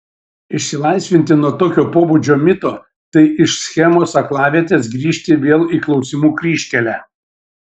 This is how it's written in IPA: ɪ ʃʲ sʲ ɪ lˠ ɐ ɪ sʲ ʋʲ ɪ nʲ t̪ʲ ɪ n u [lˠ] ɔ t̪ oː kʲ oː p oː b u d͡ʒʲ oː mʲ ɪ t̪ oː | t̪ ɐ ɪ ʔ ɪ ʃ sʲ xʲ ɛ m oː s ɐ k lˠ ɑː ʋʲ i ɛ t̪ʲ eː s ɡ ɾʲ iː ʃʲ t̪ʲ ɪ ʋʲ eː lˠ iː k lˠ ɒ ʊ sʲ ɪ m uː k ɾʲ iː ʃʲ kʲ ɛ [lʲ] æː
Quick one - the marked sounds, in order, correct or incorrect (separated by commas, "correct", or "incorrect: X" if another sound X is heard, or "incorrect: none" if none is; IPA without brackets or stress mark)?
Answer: incorrect: none, correct